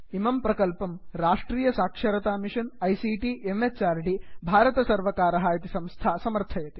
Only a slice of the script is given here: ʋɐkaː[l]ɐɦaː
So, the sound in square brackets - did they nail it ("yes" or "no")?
no